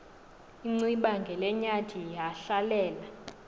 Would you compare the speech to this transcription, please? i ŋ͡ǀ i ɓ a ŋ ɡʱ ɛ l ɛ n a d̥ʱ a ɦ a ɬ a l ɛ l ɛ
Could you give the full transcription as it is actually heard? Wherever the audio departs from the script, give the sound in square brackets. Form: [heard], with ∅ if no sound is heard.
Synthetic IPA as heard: i ŋ͡ǀ i ɓ a ŋ ɡʱ ɛ l ɛ [ɲ] a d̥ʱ [i] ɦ a ɬ a l [ɛː] l [a]